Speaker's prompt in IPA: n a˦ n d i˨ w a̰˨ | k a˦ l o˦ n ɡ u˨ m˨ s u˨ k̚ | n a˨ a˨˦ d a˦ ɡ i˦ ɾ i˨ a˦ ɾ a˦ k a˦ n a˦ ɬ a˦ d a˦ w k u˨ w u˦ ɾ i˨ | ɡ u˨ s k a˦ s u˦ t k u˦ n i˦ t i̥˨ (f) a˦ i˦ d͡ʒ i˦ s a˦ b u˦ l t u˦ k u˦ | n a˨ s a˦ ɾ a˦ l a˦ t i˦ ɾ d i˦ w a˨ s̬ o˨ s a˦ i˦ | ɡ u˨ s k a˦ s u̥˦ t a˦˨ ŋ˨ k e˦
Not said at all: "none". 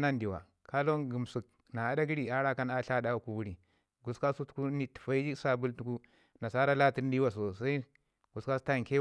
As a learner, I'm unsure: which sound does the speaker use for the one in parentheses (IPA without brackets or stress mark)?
f